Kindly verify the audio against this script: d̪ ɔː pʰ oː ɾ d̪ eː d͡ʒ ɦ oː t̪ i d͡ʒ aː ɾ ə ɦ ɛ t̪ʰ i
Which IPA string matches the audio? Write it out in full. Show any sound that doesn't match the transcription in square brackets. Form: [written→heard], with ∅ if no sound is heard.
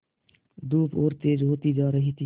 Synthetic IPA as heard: d̪ [ɔː→uː] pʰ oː ɾ [d̪→t̪] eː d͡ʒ ɦ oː t̪ i d͡ʒ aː ɾ ə ɦ [ɛ→i] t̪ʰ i